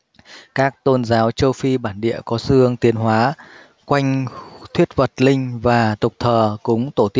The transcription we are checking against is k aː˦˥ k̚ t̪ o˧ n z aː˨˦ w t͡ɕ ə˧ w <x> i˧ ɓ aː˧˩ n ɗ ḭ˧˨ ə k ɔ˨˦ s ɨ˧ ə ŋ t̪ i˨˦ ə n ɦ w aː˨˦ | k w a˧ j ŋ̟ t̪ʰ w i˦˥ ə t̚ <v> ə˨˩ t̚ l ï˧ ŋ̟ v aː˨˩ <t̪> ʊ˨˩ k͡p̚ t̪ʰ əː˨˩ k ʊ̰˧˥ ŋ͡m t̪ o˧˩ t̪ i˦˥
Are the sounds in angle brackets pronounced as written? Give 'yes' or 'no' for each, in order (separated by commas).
no, yes, yes